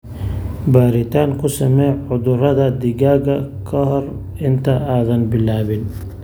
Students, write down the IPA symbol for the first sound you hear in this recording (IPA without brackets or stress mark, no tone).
b